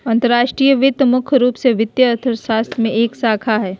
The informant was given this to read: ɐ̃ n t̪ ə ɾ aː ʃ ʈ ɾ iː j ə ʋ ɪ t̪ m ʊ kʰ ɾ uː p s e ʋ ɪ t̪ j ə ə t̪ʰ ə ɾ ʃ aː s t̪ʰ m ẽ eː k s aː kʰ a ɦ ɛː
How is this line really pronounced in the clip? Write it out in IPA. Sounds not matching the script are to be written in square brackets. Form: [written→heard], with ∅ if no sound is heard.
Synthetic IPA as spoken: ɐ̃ n t̪ ə ɾ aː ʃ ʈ ɾ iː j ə ʋ ɪ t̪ m ʊ kʰ ɾ uː p s e ʋ ɪ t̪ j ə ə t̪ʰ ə ɾ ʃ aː s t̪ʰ m ẽ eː k s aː kʰ a ɦ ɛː